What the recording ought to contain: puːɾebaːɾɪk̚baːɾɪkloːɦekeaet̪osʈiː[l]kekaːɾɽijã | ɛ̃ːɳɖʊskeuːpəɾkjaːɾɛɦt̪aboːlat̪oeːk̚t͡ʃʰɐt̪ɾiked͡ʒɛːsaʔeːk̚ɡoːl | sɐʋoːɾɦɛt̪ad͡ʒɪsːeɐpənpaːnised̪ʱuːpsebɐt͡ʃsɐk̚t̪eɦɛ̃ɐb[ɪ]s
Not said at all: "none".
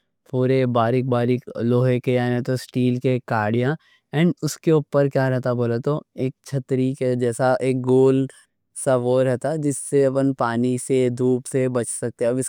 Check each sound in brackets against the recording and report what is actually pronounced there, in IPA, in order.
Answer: l, ɪ

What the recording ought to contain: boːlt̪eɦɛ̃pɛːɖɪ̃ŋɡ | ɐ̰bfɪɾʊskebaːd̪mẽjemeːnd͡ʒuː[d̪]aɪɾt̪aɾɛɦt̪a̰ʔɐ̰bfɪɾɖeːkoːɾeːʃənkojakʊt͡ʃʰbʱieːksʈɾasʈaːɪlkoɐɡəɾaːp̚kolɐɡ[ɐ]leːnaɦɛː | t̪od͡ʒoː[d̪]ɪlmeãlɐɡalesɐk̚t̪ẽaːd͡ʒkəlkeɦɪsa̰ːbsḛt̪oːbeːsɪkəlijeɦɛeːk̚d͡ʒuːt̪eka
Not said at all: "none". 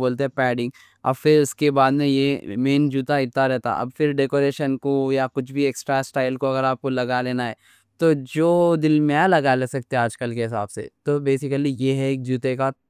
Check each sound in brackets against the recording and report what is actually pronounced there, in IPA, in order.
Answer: t̪, a, d̪

